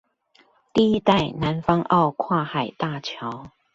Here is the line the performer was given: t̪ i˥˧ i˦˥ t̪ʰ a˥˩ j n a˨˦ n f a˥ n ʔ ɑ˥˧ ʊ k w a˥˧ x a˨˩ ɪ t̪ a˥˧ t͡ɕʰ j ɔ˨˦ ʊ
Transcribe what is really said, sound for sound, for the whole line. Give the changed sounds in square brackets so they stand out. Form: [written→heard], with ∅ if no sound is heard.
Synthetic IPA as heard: t̪ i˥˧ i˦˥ [t̪ʰ→t̪] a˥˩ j n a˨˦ n f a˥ [n→ŋ] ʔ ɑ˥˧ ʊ [k→kʰ] w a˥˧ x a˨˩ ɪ t̪ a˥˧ t͡ɕʰ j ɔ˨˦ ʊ